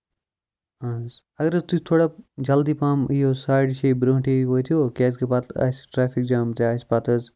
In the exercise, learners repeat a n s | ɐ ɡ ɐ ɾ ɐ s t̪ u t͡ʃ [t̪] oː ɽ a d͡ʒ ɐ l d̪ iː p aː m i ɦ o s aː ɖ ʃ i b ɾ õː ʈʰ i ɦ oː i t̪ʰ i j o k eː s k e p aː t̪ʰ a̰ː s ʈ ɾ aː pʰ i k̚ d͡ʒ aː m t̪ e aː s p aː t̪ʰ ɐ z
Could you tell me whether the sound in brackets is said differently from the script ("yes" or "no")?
yes